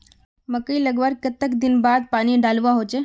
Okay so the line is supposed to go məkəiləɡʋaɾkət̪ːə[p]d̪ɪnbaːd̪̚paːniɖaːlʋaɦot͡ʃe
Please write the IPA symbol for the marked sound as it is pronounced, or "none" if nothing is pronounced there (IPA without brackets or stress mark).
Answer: k